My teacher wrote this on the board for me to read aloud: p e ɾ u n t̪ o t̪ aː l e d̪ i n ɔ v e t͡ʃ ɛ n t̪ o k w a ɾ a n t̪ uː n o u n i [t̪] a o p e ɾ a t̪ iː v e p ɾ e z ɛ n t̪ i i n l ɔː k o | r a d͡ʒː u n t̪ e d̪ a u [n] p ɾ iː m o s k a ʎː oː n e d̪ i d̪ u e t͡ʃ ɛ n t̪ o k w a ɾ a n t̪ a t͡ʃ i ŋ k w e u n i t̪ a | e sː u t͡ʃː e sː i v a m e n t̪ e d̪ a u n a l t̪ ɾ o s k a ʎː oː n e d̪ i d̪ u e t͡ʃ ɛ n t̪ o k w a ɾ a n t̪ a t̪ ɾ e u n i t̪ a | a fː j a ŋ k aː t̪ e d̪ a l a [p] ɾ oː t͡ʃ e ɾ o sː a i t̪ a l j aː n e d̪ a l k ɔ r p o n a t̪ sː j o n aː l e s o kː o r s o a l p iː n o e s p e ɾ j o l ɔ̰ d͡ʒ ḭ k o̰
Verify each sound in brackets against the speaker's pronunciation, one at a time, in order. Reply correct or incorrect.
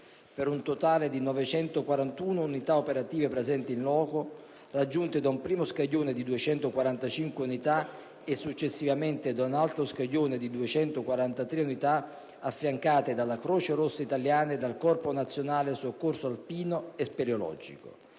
correct, incorrect: m, incorrect: k

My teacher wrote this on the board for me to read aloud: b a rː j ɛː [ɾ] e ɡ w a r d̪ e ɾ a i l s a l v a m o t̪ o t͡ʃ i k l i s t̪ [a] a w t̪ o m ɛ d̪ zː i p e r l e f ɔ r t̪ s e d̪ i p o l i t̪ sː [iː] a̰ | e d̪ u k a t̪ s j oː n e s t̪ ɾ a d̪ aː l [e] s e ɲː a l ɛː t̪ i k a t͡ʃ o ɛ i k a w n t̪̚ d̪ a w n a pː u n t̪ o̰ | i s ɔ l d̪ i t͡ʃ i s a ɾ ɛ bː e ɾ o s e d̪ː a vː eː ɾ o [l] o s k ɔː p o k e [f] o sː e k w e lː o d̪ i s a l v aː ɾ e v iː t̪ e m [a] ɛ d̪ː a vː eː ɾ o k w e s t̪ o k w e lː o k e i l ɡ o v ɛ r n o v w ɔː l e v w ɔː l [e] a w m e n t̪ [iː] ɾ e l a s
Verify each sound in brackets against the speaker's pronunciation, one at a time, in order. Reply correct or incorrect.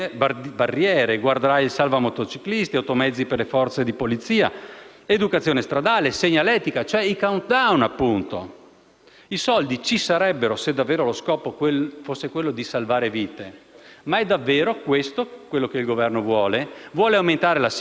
correct, incorrect: i, correct, correct, correct, correct, correct, correct, incorrect: aː

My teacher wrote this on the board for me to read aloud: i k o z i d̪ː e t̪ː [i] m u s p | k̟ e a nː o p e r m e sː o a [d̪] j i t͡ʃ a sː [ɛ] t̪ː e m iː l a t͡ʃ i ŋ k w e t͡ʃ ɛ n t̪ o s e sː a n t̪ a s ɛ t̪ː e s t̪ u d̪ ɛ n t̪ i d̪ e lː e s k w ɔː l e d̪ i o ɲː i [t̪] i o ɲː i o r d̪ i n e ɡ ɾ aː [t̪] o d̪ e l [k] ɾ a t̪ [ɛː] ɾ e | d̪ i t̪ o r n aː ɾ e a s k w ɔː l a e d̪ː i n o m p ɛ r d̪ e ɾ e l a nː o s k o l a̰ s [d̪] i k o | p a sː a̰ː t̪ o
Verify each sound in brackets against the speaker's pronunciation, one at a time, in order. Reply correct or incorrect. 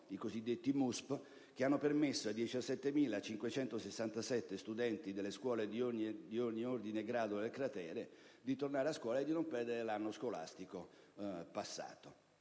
correct, correct, correct, incorrect: d̪, incorrect: d̪, correct, correct, incorrect: t̪

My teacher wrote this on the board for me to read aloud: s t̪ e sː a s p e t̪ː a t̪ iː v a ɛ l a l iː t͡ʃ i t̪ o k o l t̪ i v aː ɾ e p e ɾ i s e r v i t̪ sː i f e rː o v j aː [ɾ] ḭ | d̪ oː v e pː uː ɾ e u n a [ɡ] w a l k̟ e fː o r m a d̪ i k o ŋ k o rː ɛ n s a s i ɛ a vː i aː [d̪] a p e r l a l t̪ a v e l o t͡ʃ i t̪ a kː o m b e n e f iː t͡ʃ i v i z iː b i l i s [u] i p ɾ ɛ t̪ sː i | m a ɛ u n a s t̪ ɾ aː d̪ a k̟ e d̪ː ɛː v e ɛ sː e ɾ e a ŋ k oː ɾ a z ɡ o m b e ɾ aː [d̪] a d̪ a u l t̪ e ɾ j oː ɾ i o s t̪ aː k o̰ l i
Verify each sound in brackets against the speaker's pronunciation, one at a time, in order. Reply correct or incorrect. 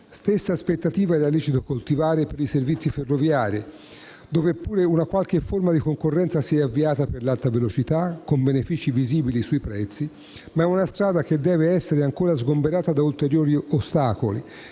correct, incorrect: k, incorrect: t̪, correct, incorrect: t̪

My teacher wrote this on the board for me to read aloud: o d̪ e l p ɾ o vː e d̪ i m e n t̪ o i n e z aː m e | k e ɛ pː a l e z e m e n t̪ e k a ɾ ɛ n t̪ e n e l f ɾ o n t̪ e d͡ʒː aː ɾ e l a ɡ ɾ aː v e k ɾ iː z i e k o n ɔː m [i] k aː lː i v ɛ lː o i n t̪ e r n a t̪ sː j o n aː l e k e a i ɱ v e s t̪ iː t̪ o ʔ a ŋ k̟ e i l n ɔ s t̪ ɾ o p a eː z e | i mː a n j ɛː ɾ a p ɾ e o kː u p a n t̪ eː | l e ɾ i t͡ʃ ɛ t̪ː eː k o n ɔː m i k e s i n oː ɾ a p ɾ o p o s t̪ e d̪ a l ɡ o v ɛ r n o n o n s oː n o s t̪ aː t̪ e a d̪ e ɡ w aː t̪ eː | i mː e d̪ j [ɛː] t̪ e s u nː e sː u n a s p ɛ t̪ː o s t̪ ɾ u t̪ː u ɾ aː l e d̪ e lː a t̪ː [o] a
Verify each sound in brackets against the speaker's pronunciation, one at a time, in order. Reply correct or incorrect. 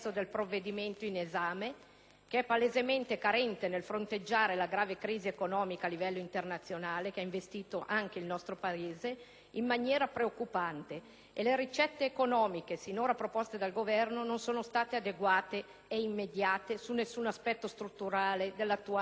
correct, incorrect: aː, incorrect: u

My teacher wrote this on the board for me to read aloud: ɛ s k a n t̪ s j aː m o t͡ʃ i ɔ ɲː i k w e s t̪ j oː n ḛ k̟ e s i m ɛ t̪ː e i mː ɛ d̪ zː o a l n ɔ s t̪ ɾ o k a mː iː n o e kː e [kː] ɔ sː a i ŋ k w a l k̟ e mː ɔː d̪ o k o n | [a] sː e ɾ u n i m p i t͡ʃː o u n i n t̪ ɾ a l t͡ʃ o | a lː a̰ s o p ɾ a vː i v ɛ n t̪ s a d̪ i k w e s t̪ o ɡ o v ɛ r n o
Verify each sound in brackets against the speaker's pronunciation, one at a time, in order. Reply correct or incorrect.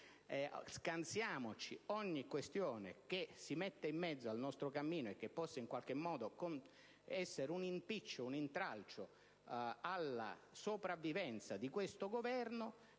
incorrect: pː, incorrect: ɛ

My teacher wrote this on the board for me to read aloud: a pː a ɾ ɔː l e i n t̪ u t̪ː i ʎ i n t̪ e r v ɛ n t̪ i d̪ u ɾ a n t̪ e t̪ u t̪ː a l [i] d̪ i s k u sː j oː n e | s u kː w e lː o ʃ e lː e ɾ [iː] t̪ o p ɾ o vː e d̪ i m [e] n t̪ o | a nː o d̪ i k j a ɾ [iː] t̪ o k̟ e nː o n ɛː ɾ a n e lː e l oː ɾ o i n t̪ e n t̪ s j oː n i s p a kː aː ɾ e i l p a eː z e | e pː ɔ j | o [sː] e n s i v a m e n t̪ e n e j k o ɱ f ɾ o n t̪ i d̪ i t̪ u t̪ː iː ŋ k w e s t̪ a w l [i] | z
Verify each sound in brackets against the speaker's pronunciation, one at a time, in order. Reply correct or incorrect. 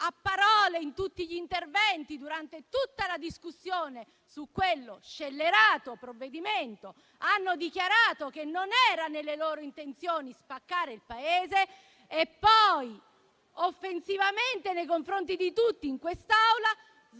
incorrect: a, incorrect: aː, correct, incorrect: aː, incorrect: fː, incorrect: a

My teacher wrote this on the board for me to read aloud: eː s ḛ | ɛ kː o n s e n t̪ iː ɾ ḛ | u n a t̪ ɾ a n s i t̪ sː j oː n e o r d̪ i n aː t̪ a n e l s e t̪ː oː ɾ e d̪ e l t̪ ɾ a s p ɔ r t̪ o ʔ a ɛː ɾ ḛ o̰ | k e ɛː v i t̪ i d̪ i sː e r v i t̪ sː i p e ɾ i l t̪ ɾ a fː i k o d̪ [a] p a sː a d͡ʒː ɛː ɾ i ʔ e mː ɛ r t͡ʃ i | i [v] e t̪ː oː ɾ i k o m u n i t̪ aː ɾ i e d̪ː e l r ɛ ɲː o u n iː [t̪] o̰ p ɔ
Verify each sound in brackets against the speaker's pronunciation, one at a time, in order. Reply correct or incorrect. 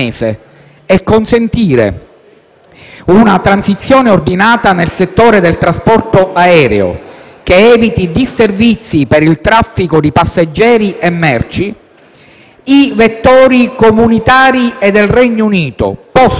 incorrect: i, correct, correct

